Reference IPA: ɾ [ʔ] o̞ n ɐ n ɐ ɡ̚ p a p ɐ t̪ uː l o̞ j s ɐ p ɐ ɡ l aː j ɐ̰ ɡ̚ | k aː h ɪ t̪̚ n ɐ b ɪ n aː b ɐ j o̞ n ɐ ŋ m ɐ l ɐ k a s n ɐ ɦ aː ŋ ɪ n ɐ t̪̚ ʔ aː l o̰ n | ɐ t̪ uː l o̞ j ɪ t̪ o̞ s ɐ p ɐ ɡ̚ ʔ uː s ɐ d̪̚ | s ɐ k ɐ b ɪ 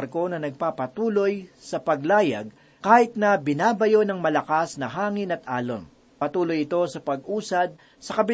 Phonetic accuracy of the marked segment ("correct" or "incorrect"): incorrect